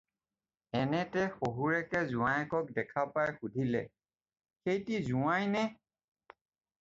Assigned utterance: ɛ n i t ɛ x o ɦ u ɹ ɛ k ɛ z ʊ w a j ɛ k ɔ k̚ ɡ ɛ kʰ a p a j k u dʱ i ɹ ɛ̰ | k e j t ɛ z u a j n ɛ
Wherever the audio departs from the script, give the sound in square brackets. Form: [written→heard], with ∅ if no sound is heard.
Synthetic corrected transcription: ɛ n [i→ɛ] t ɛ x o ɦ u ɹ ɛ k ɛ z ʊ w a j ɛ k ɔ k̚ [ɡ→d] ɛ kʰ a p a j [k→x] u dʱ i [ɹ→l] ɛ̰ | [k→x] e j t [ɛ→i] z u a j n ɛ

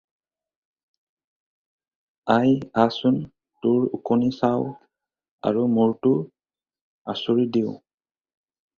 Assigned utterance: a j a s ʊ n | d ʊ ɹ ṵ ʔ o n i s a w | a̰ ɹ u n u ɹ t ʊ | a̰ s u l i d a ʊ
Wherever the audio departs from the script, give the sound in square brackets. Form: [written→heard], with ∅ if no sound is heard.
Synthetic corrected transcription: a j a s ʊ n | [d→t] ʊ ɹ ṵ [ʔ→k] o n i s a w | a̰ ɹ u [n→m] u ɹ t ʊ | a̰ s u [l→ɹ] i d [a→i] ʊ

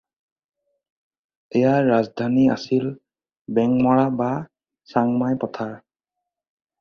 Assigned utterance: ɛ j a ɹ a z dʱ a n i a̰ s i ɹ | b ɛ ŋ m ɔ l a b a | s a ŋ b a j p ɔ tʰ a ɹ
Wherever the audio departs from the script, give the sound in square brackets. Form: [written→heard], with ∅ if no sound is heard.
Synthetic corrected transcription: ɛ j a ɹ a z dʱ a n i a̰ s i [ɹ→l] | b ɛ ŋ m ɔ [l→ɹ] a b a | s a ŋ [b→m] a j p ɔ tʰ a ɹ

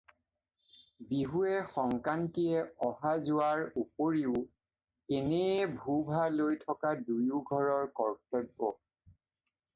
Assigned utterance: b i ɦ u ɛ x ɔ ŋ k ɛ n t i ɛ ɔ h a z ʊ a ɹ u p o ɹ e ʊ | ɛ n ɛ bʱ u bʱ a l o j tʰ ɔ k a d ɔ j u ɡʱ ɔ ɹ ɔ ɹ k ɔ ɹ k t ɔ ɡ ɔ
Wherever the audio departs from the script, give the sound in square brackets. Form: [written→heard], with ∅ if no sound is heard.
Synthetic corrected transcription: b i ɦ u ɛ x ɔ ŋ k [ɛ→a] n t i ɛ ɔ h a z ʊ a ɹ u p o ɹ [e→i] ʊ | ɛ n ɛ bʱ u bʱ a l o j tʰ ɔ k a d [ɔ→u] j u ɡʱ ɔ ɹ ɔ ɹ k ɔ ɹ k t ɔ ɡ ɔ

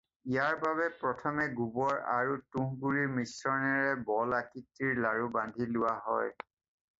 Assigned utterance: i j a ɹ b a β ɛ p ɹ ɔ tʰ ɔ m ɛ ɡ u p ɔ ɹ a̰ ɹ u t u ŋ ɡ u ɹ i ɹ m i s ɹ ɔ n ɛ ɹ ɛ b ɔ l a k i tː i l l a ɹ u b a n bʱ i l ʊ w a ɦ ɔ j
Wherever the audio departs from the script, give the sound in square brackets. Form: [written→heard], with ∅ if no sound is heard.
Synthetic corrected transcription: i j a ɹ b a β ɛ p ɹ ɔ tʰ ɔ m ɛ ɡ u [p→b] ɔ ɹ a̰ ɹ u t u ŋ ɡ u ɹ i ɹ m i s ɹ ɔ n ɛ ɹ ɛ b ɔ l a k i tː i [l→ɹ] l a ɹ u b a n [bʱ→dʱ] i l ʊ w a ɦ ɔ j

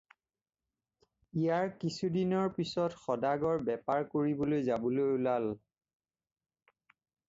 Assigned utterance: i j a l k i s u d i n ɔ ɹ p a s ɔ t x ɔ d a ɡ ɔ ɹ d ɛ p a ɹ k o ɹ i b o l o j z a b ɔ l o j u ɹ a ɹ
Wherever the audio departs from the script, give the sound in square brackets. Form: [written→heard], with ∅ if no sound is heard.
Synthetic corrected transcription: i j a [l→ɹ] k i s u d i n ɔ ɹ p [a→i] s ɔ t x ɔ d a ɡ ɔ ɹ [d→b] ɛ p a ɹ k o ɹ i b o l o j z a b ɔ l o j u [ɹ→l] a [ɹ→l]

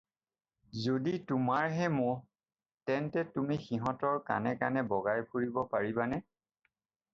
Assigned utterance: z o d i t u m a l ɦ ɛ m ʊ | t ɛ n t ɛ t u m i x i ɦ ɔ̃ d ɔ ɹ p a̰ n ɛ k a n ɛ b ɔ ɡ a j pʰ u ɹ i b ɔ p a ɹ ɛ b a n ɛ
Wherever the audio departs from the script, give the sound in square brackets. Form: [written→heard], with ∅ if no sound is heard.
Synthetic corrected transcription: z o d i t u m a [l→ɹ] ɦ ɛ m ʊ | t ɛ n t ɛ t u m i x i ɦ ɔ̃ [d→t] ɔ ɹ [p→k] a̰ n ɛ k a n ɛ b ɔ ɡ a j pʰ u ɹ i b ɔ p a ɹ [ɛ→i] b a n ɛ

